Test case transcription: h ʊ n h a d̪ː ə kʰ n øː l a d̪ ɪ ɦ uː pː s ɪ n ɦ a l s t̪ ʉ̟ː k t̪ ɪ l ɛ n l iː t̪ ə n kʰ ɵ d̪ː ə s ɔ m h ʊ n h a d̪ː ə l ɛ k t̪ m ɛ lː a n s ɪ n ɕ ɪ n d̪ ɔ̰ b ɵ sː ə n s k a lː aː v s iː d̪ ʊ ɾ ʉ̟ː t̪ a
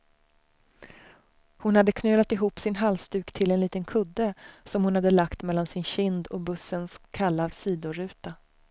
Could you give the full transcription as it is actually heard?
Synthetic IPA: h ʊ n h a d̪ː ə kʰ n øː l a t̪ ɪ ɦ uː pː s ɪ n ɦ a l s t̪ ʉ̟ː k t̪ʰ ɪ l ɛ n l iː t̪ ə n kʰ ɵ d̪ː ə s ɔ m h ʊ n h a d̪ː ə l a k t̪ m ɛ lː a n s ɪ n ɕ ɪ n d̪ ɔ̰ b ɵ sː ə n s kʰ a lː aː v s iː d̪ ʊ ɾ ʉ̟ː t̪ a